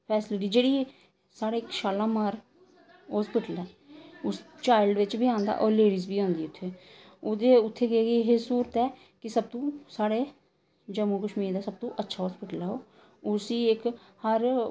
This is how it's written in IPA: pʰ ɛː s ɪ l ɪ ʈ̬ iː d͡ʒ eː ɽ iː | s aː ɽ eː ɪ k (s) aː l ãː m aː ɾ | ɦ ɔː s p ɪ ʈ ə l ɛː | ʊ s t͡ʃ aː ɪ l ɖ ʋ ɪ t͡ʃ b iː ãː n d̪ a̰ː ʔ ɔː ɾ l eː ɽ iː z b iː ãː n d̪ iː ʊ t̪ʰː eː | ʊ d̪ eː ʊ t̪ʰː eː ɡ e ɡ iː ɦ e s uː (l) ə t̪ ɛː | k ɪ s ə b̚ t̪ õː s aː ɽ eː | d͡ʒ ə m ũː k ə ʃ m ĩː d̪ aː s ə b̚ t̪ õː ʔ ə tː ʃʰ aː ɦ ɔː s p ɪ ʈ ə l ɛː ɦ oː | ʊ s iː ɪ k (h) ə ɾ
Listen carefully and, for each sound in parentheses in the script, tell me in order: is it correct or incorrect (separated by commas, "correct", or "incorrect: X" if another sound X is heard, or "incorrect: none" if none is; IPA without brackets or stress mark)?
incorrect: ʃ, incorrect: ɾ, correct